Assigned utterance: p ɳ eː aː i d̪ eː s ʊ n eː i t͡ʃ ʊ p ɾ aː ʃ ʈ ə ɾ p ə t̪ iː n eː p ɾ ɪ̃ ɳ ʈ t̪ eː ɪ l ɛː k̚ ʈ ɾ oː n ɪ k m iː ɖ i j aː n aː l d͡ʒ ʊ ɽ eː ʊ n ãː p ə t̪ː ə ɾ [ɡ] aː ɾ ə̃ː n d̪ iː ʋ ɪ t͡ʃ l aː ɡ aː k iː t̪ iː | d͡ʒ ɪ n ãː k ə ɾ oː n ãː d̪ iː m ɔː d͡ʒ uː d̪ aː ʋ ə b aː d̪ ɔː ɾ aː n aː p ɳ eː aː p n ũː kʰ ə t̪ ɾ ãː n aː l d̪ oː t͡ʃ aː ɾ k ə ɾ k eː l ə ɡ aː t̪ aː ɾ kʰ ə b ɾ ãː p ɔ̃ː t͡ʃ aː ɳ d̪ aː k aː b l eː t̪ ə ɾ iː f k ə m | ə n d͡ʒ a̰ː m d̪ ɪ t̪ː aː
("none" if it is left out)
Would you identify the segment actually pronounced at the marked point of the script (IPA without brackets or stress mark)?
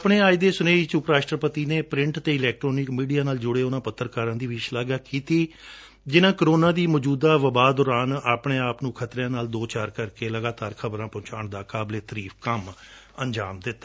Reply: k